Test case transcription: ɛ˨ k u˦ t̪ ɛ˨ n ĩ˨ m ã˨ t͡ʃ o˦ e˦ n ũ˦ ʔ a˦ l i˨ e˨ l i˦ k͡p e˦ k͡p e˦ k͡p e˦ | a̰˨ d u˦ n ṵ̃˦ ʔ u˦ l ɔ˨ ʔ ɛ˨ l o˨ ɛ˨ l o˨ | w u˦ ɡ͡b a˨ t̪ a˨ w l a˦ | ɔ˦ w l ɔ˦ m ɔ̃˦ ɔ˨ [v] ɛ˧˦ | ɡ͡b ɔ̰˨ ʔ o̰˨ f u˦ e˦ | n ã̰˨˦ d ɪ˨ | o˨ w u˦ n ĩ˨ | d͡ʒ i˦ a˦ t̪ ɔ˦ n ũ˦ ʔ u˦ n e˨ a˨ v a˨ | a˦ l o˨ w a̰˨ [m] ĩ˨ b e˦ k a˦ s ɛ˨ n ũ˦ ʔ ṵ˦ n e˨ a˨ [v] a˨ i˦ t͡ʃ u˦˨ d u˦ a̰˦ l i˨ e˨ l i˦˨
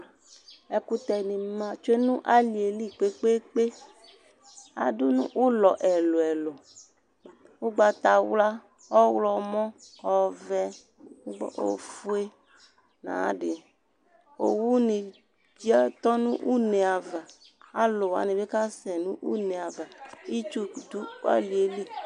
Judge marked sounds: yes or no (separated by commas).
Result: yes, no, yes